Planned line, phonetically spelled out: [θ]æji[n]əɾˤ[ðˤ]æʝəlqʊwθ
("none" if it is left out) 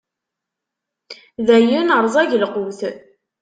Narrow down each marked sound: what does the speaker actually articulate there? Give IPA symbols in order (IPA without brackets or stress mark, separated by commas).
ð, n, zˤ